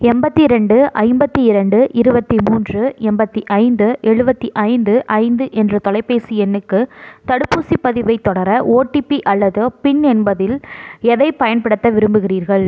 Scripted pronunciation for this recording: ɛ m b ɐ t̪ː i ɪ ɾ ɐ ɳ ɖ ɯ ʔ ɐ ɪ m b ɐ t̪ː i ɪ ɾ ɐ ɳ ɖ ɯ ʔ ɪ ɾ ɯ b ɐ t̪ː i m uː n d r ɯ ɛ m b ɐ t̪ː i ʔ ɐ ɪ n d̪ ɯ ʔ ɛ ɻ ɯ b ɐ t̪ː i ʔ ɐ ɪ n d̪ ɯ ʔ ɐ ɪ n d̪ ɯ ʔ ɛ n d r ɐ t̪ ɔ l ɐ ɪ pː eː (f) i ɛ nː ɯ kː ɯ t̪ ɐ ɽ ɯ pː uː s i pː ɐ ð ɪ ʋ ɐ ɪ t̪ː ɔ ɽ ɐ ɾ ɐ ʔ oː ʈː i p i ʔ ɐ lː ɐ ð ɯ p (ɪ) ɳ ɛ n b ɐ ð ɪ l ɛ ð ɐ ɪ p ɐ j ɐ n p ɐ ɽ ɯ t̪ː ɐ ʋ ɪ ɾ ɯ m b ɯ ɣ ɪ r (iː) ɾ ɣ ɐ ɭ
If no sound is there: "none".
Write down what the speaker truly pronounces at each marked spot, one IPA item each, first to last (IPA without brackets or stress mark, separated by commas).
s, ɪ, iː